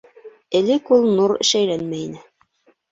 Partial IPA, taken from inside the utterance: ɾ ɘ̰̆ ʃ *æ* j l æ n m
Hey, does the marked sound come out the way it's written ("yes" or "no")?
yes